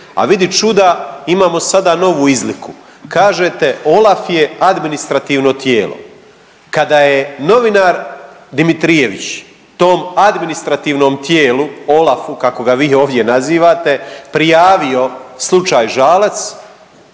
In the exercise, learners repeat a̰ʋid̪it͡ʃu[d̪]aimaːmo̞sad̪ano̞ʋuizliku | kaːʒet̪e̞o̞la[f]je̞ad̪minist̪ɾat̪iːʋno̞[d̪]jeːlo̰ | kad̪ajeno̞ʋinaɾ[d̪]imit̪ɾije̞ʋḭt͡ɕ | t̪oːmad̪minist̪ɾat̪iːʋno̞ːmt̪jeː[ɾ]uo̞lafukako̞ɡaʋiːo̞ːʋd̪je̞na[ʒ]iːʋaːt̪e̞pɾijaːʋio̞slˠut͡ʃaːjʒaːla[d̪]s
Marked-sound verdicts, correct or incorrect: correct, correct, incorrect: t̪, correct, incorrect: l, incorrect: z, incorrect: t̪

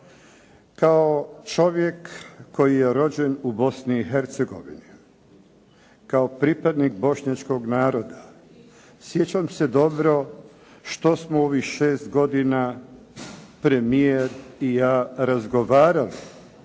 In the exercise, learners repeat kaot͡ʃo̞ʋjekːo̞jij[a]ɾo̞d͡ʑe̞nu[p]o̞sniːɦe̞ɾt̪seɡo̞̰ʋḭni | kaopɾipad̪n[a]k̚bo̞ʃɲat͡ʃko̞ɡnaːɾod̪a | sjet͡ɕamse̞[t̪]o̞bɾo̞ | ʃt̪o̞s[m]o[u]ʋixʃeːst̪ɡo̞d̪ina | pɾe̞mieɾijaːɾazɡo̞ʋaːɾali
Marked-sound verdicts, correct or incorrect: incorrect: e, incorrect: b, incorrect: i, incorrect: d̪, correct, incorrect: o

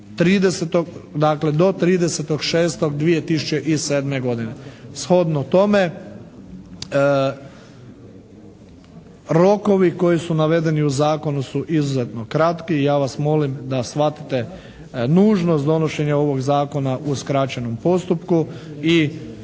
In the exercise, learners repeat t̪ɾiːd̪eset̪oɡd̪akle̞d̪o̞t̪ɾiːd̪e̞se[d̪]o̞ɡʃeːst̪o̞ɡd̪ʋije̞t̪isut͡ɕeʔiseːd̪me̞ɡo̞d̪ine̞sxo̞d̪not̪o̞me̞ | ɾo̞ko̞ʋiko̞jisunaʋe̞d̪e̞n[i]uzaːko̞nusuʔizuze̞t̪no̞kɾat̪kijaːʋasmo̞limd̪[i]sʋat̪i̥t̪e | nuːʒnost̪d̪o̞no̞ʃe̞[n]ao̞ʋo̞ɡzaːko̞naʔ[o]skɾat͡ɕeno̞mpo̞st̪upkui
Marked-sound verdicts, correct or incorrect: incorrect: t̪, correct, incorrect: a, incorrect: ɲ, incorrect: u

